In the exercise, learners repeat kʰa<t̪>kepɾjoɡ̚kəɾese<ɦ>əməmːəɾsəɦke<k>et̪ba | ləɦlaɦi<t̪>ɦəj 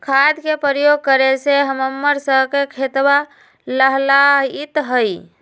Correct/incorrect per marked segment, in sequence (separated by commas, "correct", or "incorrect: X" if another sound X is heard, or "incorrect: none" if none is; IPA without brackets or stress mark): incorrect: d̪, correct, incorrect: kʰ, correct